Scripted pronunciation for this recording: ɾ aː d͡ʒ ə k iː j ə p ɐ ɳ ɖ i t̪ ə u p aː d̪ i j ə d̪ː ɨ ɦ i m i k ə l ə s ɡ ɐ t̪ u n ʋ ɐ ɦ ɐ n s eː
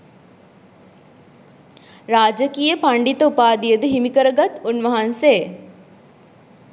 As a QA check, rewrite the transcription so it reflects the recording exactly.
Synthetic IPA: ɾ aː d͡ʒ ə k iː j ə p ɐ ɳ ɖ i t̪ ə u p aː d̪ i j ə d̪ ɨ ɦ i m i k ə ɾ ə ɡ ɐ t̪ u n ʋ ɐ ɦ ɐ n s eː